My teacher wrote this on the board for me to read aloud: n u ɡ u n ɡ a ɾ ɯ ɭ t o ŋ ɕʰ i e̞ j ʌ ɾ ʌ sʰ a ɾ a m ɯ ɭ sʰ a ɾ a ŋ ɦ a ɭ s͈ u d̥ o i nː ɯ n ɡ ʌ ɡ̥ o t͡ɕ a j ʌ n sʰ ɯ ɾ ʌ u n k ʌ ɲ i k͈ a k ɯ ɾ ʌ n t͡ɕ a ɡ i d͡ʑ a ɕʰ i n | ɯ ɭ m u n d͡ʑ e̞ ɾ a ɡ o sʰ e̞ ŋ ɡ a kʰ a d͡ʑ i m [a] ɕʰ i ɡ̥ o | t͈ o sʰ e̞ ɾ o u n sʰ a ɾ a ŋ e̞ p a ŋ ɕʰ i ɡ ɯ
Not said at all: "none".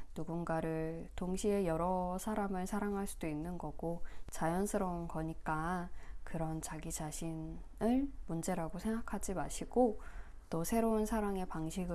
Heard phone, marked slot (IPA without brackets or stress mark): a